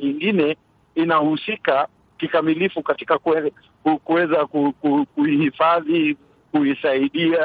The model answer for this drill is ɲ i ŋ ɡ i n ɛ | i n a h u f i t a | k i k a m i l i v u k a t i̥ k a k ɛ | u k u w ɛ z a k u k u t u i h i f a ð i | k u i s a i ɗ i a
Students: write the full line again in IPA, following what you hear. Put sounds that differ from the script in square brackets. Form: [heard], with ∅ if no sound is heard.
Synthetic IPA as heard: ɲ i ŋ ɡ i n ɛ | i n a h u [s] i [k] a | k i k a m i l i [f] u k a t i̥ k a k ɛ | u k u w ɛ z a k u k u [k] u i h i f a ð i | k u i s a i ɗ i a